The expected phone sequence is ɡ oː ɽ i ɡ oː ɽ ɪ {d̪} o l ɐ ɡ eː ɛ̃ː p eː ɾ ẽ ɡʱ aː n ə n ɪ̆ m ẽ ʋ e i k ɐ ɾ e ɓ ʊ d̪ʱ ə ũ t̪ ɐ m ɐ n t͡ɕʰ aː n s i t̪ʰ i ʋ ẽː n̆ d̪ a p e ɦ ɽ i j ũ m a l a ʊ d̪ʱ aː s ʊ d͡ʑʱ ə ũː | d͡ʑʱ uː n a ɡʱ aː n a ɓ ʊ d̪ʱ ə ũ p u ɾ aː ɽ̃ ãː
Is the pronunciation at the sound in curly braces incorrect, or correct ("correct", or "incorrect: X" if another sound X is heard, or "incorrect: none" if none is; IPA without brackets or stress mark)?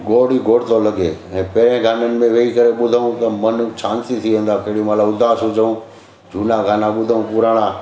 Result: incorrect: t̪